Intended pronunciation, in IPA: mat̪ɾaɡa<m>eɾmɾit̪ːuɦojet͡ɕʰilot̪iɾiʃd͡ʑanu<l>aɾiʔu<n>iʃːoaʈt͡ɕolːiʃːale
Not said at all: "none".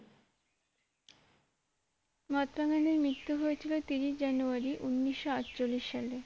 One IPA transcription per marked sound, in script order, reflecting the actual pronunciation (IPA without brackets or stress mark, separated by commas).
n, none, nː